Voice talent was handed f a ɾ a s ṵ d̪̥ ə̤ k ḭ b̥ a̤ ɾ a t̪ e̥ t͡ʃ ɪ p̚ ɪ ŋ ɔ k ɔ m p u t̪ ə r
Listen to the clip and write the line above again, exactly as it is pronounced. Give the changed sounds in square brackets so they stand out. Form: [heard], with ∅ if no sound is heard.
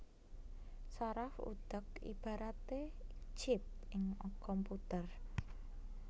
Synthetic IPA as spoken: [s] a ɾ a [f] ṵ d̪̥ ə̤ k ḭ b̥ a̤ ɾ a t̪ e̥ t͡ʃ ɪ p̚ ɪ ŋ ɔ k ɔ m p u t̪ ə r

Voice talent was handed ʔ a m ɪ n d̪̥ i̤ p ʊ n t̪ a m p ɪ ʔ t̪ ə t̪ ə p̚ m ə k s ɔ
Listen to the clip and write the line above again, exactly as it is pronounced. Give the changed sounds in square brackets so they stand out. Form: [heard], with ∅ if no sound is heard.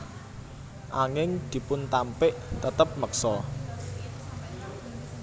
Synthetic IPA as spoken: ʔ a [ŋ] ɪ [ŋ] d̪̥ i̤ p ʊ n t̪ a m p ɪ ʔ t̪ ə t̪ ə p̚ m ə k s ɔ

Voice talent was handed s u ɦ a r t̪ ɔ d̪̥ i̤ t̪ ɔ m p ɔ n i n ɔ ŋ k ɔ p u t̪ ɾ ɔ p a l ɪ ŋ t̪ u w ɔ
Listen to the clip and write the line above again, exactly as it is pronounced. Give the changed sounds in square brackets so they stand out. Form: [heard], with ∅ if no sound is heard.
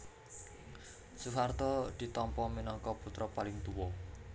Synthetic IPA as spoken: s u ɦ a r t̪ ɔ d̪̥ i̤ t̪ ɔ m p ɔ [m] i n ɔ ŋ k ɔ p u t̪ ɾ ɔ p a l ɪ ŋ t̪ u w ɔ

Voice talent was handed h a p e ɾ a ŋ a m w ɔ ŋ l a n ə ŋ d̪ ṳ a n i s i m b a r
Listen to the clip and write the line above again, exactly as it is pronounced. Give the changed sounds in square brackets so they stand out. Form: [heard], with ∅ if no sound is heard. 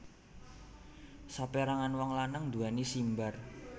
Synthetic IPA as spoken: [s] a p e ɾ a ŋ a [n] w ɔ ŋ l a n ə ŋ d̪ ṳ a n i s i m b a r

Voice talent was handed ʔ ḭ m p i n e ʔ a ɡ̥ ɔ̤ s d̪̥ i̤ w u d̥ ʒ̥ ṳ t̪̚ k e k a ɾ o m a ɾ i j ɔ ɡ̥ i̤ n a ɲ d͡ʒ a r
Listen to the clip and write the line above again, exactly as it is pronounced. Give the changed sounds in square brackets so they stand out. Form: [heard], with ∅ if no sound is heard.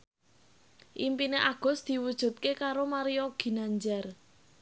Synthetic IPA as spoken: ʔ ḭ m p i n e ʔ a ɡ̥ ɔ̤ s d̪̥ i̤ w u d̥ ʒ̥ ṳ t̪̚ k e k a ɾ o m a ɾ i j ɔ ɡ̥ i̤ n a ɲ d͡ʒ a r

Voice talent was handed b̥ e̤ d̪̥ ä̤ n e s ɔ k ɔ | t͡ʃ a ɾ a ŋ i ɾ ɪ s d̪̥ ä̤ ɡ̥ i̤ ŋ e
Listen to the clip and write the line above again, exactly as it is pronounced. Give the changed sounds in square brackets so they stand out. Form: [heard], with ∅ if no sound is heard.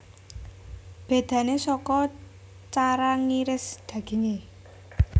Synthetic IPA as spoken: b̥ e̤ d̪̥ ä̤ n e s ɔ k ɔ | t͡ʃ a ɾ a ŋ i ɾ ɪ s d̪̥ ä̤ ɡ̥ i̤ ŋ e

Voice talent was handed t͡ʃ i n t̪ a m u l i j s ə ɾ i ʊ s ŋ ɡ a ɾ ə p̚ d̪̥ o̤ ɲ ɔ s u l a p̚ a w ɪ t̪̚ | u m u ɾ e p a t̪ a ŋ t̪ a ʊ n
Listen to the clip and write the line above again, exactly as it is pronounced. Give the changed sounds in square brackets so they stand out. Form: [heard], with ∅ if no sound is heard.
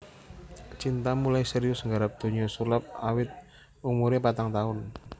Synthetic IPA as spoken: t͡ʃ i n t̪ a m u l [a] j s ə ɾ i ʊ s ŋ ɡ a ɾ [a] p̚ d̪̥ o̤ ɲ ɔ s u l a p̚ a w ɪ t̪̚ | u m u ɾ e p a t̪ a ŋ t̪ a ʊ n

